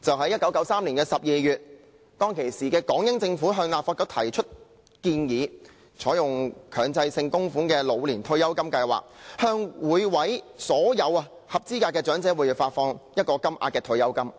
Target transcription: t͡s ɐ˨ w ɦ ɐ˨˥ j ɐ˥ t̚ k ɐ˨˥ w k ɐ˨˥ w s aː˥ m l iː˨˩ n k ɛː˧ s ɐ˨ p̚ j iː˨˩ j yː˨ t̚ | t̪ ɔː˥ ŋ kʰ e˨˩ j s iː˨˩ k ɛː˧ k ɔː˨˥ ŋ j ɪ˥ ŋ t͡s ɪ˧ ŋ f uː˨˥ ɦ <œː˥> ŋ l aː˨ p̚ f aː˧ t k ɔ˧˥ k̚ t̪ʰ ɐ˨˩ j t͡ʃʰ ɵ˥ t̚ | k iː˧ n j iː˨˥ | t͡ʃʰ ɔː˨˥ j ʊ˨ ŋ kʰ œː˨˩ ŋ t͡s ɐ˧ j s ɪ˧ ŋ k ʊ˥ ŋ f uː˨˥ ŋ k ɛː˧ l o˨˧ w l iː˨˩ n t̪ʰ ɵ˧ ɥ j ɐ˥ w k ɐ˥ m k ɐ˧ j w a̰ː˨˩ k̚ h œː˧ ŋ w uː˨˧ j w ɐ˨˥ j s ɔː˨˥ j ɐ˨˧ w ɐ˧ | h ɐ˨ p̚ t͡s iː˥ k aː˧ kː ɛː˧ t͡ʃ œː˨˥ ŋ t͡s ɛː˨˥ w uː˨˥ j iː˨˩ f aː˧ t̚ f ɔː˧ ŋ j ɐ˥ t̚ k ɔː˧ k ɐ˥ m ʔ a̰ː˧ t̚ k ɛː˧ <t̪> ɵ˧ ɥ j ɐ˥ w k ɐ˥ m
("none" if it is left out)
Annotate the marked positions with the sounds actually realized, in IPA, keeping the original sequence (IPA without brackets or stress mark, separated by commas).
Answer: œː˧, t̪ʰ